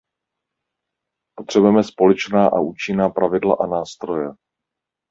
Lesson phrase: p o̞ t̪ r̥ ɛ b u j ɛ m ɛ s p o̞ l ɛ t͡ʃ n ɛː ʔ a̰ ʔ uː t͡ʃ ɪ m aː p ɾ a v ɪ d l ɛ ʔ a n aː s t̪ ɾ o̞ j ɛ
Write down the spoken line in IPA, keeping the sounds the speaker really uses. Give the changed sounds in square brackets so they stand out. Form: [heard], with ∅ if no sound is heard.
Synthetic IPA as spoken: p o̞ t̪ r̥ ɛ b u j ɛ m ɛ s p o̞ l ɛ t͡ʃ n [aː] ʔ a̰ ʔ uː t͡ʃ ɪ [n] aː p ɾ a v ɪ d l [a] ʔ a n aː s t̪ ɾ o̞ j ɛ

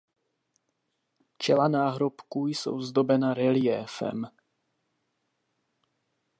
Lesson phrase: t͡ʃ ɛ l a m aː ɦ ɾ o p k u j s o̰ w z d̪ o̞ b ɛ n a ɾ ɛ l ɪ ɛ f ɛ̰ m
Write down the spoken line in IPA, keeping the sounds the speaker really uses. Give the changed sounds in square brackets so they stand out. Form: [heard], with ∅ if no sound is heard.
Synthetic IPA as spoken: t͡ʃ ɛ l a [n] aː ɦ ɾ o p k u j s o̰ w z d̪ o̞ b ɛ n a ɾ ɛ l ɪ ɛ f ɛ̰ m

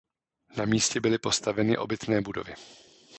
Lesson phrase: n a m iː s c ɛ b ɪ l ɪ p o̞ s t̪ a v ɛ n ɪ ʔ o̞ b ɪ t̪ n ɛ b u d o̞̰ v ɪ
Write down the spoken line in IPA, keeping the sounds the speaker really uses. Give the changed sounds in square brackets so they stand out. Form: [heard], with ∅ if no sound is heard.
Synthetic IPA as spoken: n a m iː s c ɛ b ɪ l ɪ p o̞ s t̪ a v ɛ n ɪ ʔ o̞ b ɪ t̪ n [ɛː] b u d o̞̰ v ɪ

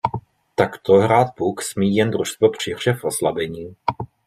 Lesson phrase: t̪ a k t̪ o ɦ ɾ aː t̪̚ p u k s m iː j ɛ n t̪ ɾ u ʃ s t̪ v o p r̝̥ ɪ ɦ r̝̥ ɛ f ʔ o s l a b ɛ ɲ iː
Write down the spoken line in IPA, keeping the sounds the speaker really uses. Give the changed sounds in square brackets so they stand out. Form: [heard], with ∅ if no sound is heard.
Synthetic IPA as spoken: t̪ a k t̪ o ɦ ɾ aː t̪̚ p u k s m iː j ɛ n [d̪] ɾ u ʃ s t̪ v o p r̝̥ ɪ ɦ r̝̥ ɛ f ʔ o s l a b ɛ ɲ iː

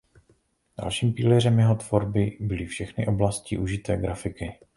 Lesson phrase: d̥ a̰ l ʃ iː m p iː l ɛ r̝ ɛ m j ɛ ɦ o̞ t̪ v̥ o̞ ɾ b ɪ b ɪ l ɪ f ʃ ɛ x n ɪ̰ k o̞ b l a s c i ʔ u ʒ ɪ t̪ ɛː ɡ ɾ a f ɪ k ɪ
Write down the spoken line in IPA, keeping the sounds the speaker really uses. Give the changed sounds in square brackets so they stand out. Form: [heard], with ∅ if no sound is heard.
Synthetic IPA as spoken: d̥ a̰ l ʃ iː m p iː l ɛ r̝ ɛ m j ɛ ɦ o̞ t̪ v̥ o̞ ɾ b ɪ b ɪ l ɪ f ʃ ɛ x n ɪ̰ [ʔ] o̞ b l a s c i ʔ u ʒ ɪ t̪ ɛː ɡ ɾ a f ɪ k ɪ

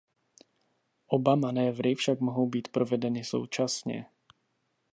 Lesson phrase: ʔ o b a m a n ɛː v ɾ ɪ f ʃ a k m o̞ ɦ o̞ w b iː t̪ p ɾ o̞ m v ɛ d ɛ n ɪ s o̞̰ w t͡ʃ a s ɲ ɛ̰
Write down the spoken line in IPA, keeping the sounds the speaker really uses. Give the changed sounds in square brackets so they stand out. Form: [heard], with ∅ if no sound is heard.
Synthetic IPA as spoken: ʔ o b a m a n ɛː v ɾ ɪ f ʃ a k m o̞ ɦ o̞ w b iː t̪ p ɾ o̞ [∅] v ɛ d ɛ n ɪ s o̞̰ w t͡ʃ a s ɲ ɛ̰

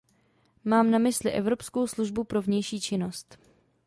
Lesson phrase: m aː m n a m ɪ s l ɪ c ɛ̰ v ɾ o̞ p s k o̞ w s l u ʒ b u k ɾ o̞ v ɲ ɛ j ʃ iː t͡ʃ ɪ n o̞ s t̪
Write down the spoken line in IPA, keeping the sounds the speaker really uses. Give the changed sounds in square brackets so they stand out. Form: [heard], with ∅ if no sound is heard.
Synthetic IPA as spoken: m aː m n a m ɪ s l ɪ [ʔ] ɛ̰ v ɾ o̞ p s k o̞ w s l u ʒ b u [p] ɾ o̞ v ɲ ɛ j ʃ iː t͡ʃ ɪ n o̞ s t̪

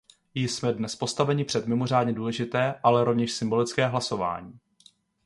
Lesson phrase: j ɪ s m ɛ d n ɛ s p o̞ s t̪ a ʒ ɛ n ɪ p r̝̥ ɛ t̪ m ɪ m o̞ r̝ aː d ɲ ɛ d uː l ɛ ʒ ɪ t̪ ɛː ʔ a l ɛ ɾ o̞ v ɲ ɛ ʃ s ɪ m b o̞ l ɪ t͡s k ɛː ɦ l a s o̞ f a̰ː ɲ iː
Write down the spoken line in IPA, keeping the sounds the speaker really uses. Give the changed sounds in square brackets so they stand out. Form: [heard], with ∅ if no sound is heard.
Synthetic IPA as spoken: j ɪ s m ɛ d n ɛ s p o̞ s t̪ a [v] ɛ [ɲ] ɪ p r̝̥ ɛ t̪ m ɪ m o̞ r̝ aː d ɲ ɛ d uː l ɛ ʒ ɪ t̪ ɛː ʔ a l ɛ ɾ o̞ v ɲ ɛ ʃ s ɪ m b o̞ l ɪ t͡s k ɛː ɦ l a s o̞ [v] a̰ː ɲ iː

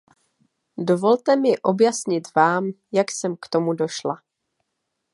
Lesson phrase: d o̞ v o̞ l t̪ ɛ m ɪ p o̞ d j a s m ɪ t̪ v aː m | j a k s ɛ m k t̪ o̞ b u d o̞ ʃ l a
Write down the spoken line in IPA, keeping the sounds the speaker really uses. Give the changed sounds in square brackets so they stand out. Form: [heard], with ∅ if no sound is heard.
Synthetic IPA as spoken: d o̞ v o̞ l t̪ ɛ m ɪ [ʔ] o̞ [b] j a s [ɲ] ɪ t̪ v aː m | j a k s ɛ m k t̪ o̞ [m] u d o̞ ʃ l a

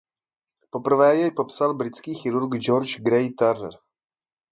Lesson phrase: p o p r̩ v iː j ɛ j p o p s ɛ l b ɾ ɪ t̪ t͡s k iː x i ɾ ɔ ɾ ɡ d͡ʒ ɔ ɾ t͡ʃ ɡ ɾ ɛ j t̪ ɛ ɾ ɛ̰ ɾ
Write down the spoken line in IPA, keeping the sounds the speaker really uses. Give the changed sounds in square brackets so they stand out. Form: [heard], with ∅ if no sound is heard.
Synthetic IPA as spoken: p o p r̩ v [ɛː] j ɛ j p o p s [a] l b ɾ ɪ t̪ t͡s k iː x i ɾ [u] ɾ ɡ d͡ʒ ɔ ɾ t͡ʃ ɡ ɾ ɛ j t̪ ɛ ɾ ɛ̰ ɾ

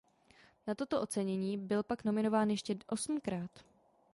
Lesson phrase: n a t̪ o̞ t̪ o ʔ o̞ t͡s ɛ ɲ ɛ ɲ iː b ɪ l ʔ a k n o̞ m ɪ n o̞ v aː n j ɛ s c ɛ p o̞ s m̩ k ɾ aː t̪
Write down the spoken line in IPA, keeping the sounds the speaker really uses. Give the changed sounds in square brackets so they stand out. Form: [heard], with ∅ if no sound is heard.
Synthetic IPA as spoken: n a t̪ o̞ t̪ o ʔ o̞ t͡s ɛ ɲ ɛ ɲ iː b ɪ l [p] a k n o̞ m ɪ n o̞ v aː n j ɛ [ʃ] c ɛ [ʔ] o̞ s m̩ k ɾ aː t̪

